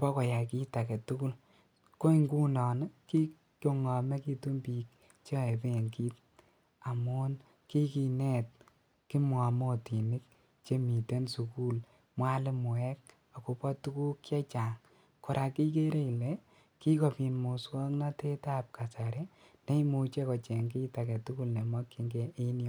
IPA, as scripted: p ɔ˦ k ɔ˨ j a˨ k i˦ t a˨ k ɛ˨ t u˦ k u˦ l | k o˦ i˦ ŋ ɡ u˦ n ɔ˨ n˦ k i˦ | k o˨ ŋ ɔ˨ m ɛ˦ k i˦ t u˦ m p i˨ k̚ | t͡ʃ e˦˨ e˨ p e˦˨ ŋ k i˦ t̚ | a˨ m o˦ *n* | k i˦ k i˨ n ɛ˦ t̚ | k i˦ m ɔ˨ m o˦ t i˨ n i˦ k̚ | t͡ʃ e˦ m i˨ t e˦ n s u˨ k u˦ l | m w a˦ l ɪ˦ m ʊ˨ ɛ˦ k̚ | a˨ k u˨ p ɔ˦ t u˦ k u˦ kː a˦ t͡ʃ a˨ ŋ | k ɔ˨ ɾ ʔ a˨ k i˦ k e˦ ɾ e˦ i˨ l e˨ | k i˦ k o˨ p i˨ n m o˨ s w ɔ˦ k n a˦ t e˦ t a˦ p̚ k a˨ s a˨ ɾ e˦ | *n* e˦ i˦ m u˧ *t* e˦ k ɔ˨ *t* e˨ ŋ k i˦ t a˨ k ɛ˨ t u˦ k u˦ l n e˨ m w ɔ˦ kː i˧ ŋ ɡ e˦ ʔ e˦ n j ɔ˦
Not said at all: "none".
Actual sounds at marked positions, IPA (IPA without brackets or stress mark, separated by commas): n, n, t͡ʃ, t͡ʃ